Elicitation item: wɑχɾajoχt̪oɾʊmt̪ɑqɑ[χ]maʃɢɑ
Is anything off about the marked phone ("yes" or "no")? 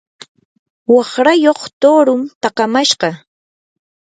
yes